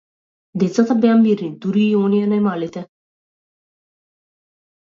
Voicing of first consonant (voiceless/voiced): voiced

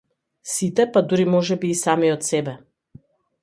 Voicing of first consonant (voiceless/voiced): voiceless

